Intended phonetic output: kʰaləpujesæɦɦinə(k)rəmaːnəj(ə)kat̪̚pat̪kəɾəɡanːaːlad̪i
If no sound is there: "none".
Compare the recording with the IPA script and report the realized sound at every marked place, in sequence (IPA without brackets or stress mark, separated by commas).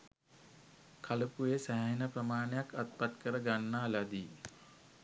p, a